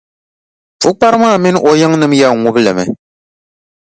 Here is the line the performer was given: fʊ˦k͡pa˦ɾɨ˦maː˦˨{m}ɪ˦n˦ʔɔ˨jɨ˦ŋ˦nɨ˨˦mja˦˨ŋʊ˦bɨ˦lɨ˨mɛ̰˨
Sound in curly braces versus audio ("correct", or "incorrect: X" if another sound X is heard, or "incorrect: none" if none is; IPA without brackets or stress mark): correct